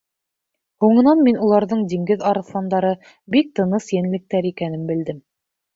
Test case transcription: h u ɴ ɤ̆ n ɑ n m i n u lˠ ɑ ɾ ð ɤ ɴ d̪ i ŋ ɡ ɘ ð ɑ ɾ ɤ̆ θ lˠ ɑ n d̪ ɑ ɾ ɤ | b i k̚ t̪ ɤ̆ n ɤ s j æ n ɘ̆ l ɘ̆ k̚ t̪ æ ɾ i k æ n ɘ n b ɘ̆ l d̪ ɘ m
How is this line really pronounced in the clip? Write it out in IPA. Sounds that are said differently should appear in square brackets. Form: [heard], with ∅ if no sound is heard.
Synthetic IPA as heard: h u ɴ ɤ̆ n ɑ n m i n u lˠ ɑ ɾ ð ɤ ɴ d̪ i ŋ ɡ ɘ ð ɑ ɾ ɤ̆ θ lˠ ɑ n d̪ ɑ ɾ ɤ | b i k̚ t̪ ɤ̆ n ɤ s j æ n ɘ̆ l ɘ̆ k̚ t̪ æ ɾ i k æ n ɘ [m] b ɘ̆ l d̪ ɘ m

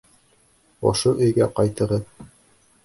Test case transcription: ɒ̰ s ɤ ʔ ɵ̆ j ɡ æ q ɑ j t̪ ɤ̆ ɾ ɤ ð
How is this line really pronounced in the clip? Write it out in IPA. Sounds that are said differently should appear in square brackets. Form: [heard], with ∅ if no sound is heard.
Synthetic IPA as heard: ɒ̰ [ʃ] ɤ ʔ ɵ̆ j ɡ æ q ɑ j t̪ ɤ̆ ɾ ɤ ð

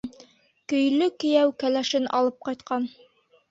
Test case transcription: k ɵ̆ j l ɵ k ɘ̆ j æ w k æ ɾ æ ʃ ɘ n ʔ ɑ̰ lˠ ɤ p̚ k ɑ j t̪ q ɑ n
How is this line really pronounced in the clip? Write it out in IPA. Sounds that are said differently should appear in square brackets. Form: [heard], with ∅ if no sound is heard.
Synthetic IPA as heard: k ɵ̆ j l ɵ k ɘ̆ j æ w k æ [l] æ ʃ ɘ n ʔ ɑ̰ lˠ ɤ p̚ [q] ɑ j t̪ q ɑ n

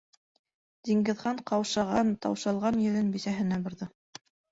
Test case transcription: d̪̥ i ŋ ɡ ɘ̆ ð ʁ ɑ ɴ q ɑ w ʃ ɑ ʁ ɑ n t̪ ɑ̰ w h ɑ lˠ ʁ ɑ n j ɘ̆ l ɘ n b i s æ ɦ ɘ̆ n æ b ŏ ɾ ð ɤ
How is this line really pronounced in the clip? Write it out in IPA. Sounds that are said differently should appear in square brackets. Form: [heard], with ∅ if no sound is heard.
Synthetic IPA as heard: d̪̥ i ŋ ɡ ɘ̆ ð ʁ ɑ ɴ q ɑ w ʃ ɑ ʁ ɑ n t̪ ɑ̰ w [ʃ] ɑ lˠ ʁ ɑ n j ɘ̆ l ɘ n b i s æ ɦ ɘ̆ n æ b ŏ ɾ ð ɤ

